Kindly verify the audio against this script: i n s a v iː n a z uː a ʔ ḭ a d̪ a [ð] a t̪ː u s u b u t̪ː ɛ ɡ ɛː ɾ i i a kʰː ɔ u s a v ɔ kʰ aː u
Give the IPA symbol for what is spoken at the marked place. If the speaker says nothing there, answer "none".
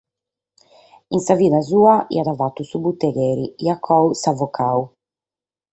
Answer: v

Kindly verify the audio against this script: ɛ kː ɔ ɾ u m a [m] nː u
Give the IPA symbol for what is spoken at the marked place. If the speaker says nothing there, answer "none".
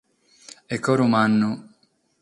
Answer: none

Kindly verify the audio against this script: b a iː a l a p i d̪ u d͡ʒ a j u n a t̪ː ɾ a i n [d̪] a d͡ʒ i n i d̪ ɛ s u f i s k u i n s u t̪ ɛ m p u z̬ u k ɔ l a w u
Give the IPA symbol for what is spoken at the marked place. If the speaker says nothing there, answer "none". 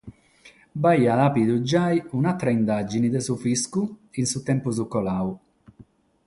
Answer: d̪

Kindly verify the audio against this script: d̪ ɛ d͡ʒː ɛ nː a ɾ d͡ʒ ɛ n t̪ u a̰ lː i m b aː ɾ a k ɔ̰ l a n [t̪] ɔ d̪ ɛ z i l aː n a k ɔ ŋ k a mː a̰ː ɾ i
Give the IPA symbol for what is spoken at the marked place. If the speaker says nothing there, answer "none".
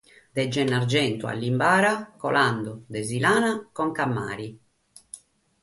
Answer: d̪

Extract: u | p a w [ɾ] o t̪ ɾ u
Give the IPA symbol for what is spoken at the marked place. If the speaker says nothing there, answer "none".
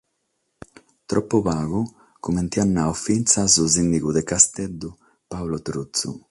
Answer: l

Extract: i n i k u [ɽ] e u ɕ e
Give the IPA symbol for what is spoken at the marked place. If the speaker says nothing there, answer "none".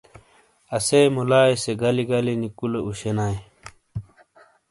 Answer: l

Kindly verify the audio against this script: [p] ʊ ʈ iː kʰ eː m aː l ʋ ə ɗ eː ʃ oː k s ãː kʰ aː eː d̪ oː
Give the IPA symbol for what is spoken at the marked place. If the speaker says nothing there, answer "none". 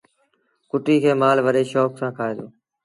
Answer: k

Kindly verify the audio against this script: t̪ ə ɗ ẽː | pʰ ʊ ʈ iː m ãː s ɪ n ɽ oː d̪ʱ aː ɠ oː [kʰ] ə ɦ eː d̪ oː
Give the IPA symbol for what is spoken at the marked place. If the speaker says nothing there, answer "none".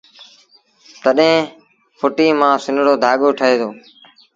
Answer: ʈʰ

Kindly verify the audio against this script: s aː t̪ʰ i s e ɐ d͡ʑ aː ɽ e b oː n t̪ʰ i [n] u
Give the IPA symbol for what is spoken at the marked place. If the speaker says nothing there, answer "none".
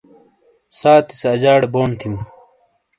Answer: m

